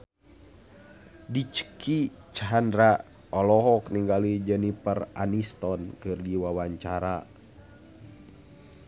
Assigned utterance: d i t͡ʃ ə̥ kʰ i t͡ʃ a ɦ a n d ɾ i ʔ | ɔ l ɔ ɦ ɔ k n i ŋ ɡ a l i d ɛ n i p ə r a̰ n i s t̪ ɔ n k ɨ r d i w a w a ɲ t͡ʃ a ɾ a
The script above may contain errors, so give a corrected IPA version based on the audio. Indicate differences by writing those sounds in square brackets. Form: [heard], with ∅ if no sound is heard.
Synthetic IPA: d i t͡ʃ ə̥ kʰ i t͡ʃ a ɦ a n d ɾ [a] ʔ | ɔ l ɔ ɦ ɔ k n i ŋ ɡ a l i [d͡ʒ] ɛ n i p ə r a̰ n i s t̪ ɔ n k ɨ r d i w a w a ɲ t͡ʃ a ɾ a